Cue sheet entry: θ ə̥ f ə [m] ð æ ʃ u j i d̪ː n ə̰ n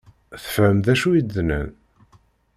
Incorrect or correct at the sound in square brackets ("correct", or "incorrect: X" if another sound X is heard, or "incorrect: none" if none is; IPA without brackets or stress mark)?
correct